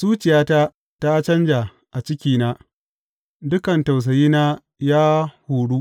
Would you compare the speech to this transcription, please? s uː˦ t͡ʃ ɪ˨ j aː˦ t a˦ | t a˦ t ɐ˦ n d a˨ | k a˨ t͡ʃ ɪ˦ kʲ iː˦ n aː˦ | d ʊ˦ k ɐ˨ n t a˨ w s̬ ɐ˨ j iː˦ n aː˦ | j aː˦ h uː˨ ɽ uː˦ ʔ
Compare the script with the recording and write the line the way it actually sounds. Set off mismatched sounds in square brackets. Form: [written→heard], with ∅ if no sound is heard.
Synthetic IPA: s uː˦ t͡ʃ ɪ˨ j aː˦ t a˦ | t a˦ [t→t͡ʃ] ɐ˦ n [d→d͡ʒ] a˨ | [k→ʔ] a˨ t͡ʃ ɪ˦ kʲ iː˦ n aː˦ | d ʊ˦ k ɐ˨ n t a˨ w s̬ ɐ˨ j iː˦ n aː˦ | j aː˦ h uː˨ ɽ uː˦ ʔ

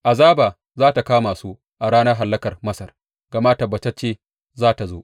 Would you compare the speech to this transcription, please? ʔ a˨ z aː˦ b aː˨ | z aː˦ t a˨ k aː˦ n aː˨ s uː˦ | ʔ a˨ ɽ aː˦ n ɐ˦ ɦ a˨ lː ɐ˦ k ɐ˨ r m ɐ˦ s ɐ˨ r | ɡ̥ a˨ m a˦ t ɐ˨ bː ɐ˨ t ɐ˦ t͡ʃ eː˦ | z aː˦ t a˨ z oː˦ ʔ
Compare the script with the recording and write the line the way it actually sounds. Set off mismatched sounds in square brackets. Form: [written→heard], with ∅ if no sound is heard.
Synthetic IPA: ʔ a˨ z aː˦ b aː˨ | z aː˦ t a˨ k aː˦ [n→m] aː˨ s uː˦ | ʔ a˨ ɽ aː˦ n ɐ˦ ɦ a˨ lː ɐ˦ k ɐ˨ r m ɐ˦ s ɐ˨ r | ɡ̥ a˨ m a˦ t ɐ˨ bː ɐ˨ t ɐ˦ t͡ʃ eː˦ | z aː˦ t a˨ z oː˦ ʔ

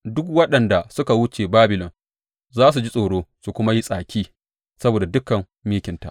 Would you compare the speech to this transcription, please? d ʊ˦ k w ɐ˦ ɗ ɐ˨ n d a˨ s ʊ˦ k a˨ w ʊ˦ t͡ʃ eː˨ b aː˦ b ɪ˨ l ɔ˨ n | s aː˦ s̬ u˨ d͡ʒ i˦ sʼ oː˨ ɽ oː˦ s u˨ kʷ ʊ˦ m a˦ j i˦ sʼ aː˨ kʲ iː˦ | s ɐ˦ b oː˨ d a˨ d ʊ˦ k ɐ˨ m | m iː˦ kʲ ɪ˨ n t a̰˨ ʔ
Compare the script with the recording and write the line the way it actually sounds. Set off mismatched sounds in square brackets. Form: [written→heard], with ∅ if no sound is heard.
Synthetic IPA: d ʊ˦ k w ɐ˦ ɗ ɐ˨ n d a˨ s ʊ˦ k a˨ w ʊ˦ t͡ʃ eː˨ b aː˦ b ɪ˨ l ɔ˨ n | [s→z] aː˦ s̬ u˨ d͡ʒ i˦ sʼ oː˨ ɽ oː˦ s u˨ kʷ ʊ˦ m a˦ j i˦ sʼ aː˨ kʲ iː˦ | s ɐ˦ b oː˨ d a˨ d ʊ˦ k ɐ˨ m | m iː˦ kʲ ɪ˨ n t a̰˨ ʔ

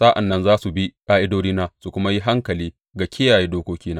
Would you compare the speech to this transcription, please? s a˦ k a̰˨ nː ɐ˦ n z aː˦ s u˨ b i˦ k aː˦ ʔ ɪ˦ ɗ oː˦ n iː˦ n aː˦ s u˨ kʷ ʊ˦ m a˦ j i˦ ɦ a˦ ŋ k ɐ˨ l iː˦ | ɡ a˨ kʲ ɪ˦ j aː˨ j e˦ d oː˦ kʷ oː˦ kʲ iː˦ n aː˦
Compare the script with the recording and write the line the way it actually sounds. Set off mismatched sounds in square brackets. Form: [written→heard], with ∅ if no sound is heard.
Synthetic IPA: s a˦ [k→ʔ] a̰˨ nː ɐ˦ n z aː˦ s u˨ b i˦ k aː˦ ʔ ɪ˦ [ɗ→d] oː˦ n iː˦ n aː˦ s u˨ kʷ ʊ˦ m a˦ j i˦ ɦ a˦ ŋ k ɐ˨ l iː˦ | ɡ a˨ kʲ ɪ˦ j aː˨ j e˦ d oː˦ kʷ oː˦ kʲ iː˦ n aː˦

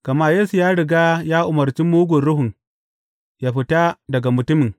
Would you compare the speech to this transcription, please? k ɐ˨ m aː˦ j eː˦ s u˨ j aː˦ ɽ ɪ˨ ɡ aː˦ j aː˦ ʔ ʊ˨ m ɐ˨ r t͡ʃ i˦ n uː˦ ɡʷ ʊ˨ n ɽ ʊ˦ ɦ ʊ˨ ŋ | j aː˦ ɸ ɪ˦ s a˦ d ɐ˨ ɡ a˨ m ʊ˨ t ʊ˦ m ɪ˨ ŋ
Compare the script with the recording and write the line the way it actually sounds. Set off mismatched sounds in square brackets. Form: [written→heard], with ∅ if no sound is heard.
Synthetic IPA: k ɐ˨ m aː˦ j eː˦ s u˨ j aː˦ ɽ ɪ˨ ɡ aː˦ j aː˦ ʔ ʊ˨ m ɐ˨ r t͡ʃ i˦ [n→m] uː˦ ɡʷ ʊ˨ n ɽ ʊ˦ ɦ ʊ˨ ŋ | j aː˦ ɸ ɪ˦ [s→t] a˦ d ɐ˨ ɡ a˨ m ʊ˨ t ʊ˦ m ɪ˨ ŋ

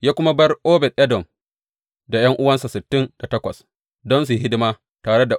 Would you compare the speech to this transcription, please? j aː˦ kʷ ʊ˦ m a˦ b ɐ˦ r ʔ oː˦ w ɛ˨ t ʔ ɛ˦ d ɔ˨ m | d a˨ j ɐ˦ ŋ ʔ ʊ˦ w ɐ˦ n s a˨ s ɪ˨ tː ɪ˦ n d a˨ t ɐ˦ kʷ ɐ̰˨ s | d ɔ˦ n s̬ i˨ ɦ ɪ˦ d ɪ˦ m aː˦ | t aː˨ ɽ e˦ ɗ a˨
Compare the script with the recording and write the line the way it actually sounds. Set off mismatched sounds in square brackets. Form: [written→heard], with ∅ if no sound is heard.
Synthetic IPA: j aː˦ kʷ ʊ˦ m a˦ b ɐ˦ r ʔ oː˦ [w→b] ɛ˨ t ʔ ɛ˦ d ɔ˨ m | d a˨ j ɐ˦ ŋ ʔ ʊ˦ w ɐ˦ n s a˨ s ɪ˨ tː ɪ˦ n d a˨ t ɐ˦ kʷ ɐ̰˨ s | d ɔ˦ n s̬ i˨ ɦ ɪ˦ d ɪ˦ m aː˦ | t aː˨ ɽ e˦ [ɗ→d] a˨

